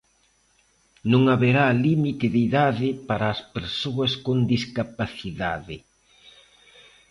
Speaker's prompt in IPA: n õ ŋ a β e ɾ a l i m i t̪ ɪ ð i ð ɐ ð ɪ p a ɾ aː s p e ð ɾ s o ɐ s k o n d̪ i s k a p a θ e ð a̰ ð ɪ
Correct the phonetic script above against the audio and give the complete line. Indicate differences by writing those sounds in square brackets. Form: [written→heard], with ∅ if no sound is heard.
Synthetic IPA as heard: n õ ŋ a β e ɾ a l i m i t̪ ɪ ð i ð [ɐ→a] ð ɪ p a ɾ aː s p e [ð→∅] ɾ s o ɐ s k o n d̪ i s k a p a θ [e→i] ð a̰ ð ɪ